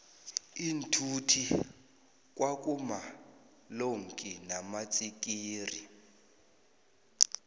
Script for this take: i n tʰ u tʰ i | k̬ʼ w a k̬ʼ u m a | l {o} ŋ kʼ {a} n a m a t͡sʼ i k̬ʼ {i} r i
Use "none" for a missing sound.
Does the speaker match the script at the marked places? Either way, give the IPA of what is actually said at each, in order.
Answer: o, i, iː

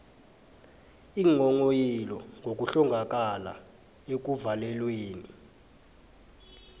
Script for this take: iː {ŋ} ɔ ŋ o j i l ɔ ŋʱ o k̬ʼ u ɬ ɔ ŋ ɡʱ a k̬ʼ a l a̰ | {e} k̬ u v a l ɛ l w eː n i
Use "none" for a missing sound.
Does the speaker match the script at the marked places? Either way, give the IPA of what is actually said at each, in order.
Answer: ŋ, e

